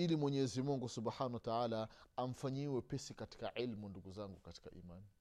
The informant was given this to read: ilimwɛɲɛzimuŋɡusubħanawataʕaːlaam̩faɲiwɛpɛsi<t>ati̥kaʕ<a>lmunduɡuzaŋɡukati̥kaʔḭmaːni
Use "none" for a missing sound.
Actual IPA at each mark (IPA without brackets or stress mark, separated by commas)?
k, i